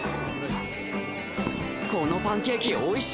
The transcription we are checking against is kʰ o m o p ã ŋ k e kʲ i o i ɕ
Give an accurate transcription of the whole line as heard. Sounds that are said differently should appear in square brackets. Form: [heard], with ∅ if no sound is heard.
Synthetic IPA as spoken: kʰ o [n] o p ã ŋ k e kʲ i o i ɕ